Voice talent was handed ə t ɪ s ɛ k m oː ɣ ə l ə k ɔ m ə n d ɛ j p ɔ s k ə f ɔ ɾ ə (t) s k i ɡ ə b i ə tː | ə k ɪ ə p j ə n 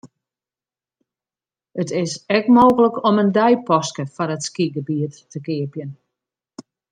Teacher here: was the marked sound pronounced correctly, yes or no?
yes